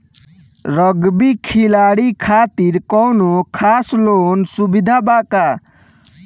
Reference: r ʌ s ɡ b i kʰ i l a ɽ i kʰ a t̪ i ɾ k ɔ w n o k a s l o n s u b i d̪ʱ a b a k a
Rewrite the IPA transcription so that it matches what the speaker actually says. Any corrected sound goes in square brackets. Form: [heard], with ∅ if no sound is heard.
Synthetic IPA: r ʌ [∅] ɡ b i kʰ i l a ɽ i kʰ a t̪ i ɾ k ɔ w n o [kʰ] a s l o n s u b i d̪ʱ a b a k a